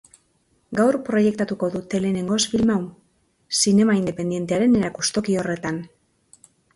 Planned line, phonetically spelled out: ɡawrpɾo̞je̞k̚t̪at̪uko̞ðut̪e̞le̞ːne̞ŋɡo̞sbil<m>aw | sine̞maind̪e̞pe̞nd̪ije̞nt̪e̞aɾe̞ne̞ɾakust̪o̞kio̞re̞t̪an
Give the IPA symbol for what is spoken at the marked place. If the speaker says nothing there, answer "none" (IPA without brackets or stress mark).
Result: m